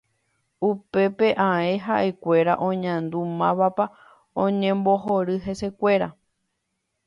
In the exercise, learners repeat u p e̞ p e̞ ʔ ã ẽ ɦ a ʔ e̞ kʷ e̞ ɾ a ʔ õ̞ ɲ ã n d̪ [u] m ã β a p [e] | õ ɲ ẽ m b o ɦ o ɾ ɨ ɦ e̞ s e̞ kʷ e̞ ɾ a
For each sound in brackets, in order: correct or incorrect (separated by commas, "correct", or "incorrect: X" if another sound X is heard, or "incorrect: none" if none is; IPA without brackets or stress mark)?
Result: correct, incorrect: a